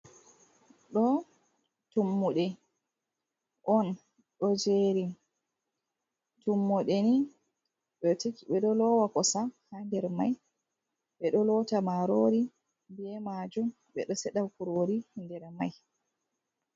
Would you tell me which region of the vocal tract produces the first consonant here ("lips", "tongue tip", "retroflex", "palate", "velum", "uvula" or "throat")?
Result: tongue tip